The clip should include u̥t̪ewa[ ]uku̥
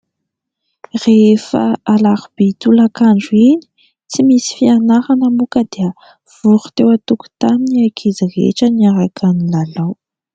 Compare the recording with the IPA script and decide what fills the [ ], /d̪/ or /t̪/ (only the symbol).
t̪